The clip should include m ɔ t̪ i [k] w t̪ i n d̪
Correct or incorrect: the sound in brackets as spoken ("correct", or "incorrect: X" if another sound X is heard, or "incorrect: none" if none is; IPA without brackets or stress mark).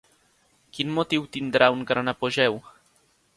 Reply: incorrect: none